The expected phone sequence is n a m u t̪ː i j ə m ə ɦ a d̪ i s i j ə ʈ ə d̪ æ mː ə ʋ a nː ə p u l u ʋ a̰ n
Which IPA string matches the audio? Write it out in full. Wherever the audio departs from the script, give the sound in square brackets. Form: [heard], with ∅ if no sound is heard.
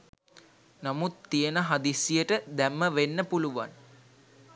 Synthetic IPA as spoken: n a m u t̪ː i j ə [n] ə ɦ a d̪ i s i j ə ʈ ə d̪ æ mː ə ʋ [e] nː ə p u l u ʋ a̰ n